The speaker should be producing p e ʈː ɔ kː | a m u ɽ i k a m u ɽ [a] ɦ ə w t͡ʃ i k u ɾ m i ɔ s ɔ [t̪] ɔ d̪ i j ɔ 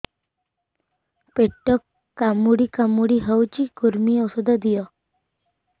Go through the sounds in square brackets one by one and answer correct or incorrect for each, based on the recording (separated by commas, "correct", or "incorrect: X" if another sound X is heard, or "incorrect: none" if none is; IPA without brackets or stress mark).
incorrect: i, incorrect: d̪